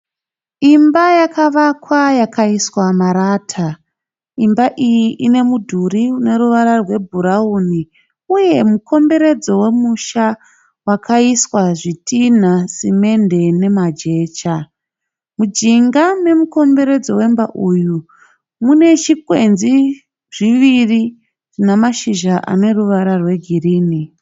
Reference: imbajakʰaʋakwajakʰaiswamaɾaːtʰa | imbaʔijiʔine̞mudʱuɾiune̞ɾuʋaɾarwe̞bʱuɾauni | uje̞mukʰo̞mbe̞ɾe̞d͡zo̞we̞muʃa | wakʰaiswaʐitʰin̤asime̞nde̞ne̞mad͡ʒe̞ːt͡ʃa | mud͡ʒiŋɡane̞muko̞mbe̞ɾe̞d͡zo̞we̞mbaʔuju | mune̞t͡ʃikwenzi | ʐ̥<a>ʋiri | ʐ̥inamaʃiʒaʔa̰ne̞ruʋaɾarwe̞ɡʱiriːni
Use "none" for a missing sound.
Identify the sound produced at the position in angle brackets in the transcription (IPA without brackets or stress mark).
i